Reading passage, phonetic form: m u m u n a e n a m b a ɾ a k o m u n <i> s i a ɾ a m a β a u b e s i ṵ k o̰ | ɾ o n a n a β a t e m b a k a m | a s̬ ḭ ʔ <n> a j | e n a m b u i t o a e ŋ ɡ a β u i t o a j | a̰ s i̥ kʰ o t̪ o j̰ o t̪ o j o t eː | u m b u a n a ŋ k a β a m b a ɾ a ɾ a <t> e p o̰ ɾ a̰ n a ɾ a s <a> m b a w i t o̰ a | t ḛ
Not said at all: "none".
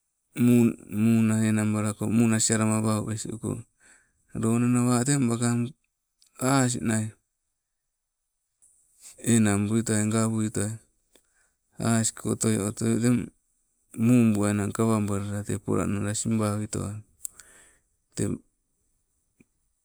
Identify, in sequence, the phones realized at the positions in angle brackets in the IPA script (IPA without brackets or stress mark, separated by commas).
a, n, t, i